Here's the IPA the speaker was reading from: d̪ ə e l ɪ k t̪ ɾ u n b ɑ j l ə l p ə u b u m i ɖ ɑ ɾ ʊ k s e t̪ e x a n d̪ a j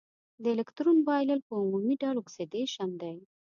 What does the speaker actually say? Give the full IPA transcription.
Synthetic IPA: d̪ ə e l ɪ k t̪ ɾ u n b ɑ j l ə l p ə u m u m i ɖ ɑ l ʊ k s e d̪ e ʃ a n d̪ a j

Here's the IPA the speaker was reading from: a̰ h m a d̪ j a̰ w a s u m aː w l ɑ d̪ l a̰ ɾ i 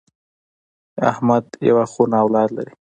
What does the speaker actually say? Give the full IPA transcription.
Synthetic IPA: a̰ h m a d̪ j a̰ w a x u n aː w l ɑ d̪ l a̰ ɾ i

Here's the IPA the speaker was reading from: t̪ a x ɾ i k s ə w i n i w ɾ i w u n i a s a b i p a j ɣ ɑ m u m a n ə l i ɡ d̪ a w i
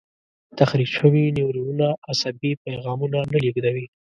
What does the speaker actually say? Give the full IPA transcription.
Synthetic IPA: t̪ a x ɾ i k ʃ ə w i n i w ɾ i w u n a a s a b i p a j ɣ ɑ m u n a n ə l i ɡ d̪ a w i

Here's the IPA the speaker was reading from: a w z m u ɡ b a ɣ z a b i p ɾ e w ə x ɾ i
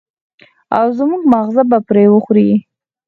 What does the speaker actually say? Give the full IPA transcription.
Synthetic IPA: a w z m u ɡ m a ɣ z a b a p ɾ e w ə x ɾ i

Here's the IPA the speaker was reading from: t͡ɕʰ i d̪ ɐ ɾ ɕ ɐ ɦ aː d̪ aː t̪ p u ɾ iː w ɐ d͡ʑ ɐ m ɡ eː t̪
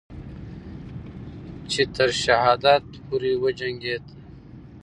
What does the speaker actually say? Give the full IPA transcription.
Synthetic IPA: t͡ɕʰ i t̪ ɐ ɾ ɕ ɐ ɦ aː d̪ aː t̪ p u ɾ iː w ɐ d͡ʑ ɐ ŋ ɡ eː t̪

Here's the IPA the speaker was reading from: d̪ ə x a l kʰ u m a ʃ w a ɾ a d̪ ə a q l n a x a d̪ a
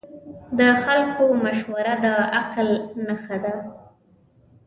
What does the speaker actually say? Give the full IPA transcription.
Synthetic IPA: d̪ ə x a l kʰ o m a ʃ w a ɾ a d̪ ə a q l n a x a d̪ a

